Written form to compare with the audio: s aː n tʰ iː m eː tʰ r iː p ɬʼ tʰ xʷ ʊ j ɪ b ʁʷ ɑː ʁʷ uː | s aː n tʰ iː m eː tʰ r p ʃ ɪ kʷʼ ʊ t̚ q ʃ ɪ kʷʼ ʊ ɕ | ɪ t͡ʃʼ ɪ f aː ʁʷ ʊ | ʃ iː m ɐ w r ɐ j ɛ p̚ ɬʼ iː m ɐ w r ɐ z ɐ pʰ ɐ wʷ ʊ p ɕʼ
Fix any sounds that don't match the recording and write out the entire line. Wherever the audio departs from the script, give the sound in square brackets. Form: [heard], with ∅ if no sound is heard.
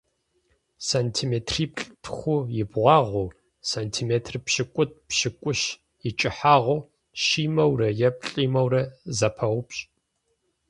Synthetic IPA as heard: s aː n tʰ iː m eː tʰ r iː p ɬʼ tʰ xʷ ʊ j ɪ b ʁʷ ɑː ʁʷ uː | s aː n tʰ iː m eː tʰ r p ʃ ɪ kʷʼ ʊ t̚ [p] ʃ ɪ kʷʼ ʊ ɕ | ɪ t͡ʃʼ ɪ [ħ] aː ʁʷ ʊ | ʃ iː m ɐ w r ɐ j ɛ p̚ ɬʼ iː m ɐ w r ɐ z ɐ pʰ ɐ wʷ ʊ p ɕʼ